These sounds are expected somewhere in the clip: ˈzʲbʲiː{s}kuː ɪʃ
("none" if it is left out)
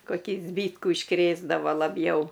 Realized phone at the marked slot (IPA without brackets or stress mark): t